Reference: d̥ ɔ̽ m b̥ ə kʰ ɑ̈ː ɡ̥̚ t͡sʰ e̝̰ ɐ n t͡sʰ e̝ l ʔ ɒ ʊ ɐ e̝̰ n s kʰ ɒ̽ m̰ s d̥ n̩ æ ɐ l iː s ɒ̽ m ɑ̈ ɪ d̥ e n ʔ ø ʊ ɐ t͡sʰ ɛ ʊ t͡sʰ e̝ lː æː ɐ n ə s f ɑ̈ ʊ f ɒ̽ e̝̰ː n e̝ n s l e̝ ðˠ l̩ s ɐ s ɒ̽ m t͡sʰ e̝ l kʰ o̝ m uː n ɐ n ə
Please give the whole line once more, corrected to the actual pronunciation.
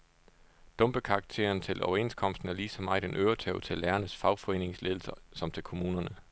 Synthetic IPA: d̥ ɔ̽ m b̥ ə kʰ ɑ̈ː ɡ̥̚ t͡sʰ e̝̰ ɐ n t͡sʰ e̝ l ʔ ɒ ʊ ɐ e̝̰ n s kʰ ɒ̽ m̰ s d̥ n̩ æ ɐ l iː s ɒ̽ m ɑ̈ ɪ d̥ e n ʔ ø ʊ ɐ t͡sʰ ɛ ʊ t͡sʰ e̝ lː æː ɐ n ə s f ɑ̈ ʊ f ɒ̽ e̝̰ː n e̝ ŋ s l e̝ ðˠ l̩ s ɐ s ɒ̽ m t͡sʰ e̝ l kʰ o̝ m uː n ɐ n ə